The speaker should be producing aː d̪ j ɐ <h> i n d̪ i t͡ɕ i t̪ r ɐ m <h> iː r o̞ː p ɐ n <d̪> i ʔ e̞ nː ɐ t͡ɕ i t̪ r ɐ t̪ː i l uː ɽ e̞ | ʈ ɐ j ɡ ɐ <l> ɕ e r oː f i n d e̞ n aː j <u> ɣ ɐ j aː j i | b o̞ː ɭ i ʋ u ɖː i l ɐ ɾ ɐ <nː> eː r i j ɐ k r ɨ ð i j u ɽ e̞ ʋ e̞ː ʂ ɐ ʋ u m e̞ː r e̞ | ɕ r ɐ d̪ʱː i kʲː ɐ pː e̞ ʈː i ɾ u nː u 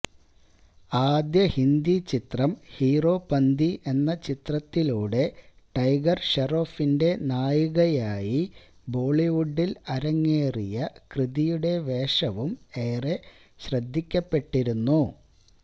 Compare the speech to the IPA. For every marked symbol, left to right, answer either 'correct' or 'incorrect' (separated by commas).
correct, correct, correct, incorrect, correct, incorrect